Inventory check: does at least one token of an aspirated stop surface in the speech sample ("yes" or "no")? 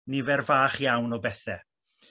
no